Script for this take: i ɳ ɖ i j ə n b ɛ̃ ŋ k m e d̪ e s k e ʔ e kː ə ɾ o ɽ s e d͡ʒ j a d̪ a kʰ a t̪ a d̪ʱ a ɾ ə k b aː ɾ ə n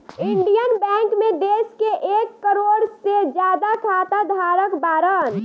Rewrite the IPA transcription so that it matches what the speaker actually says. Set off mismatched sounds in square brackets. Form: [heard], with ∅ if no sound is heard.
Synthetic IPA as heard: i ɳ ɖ i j ə n b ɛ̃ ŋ k m e d̪ e s k e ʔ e kː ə ɾ o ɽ s e d͡ʒ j a d̪ a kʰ a t̪ a d̪ʱ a ɾ ə k b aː ɾ ə n